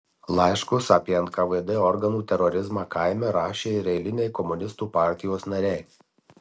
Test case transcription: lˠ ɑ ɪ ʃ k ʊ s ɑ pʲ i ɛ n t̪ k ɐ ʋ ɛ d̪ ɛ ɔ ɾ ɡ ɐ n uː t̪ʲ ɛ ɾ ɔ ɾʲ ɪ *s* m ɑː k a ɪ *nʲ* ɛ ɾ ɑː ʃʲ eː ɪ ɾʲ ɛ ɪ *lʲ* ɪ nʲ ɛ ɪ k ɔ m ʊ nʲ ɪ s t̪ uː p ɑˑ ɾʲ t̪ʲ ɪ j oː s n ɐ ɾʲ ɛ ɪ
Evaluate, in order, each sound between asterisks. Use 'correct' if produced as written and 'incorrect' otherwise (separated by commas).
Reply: incorrect, incorrect, correct